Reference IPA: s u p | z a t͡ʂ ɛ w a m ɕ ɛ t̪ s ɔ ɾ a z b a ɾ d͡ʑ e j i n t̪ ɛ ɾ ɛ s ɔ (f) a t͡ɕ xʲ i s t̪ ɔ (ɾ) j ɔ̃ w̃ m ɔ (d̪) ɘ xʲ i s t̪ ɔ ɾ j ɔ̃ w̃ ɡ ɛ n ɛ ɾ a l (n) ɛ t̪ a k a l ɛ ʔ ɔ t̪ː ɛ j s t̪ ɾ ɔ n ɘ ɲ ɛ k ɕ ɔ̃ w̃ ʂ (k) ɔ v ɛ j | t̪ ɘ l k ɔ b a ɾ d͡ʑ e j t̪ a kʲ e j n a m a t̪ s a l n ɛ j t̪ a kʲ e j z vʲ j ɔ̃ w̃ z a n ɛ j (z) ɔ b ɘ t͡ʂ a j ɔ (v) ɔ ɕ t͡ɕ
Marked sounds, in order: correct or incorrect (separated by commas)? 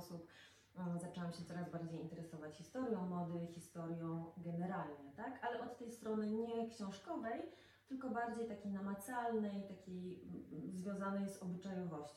incorrect, correct, correct, incorrect, correct, correct, correct